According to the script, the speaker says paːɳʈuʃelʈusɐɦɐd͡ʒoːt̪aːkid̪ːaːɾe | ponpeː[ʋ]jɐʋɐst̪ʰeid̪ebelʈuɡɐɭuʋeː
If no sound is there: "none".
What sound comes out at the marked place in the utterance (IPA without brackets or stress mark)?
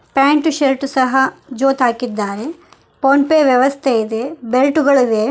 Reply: ʋ